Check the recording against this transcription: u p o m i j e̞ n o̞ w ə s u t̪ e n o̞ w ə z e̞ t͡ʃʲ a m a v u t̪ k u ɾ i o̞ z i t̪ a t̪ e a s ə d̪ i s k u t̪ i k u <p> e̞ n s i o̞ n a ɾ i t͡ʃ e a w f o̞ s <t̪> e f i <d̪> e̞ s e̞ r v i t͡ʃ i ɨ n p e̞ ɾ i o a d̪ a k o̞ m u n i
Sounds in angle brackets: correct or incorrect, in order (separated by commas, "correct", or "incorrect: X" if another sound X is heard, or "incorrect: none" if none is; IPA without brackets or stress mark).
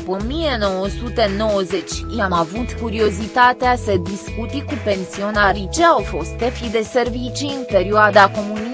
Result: correct, correct, correct